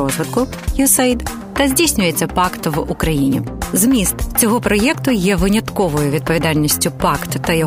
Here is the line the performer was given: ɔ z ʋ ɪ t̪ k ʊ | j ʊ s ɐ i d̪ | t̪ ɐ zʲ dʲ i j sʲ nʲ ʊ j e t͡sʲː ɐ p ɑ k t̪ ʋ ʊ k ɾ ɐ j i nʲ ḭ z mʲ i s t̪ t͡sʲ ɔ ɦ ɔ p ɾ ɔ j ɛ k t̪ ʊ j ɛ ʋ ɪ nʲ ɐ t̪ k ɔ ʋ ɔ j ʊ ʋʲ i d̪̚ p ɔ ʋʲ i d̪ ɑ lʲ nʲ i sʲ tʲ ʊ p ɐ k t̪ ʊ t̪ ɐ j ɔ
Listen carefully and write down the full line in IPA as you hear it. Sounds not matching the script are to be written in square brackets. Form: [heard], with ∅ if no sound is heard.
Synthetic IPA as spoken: ɔ z ʋ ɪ t̪ k ʊ | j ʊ s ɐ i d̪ | t̪ ɐ zʲ dʲ i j sʲ nʲ ʊ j e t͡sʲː ɐ p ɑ k t̪ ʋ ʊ k ɾ ɐ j i nʲ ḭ z mʲ i s t̪ t͡sʲ ɔ ɦ ɔ p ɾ ɔ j ɛ k t̪ ʊ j ɛ ʋ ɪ nʲ ɐ t̪ k ɔ ʋ ɔ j ʊ ʋʲ i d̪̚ p ɔ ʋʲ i d̪ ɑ lʲ nʲ i sʲ tʲ ʊ p [ɑ] k t̪ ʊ t̪ ɐ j ɔ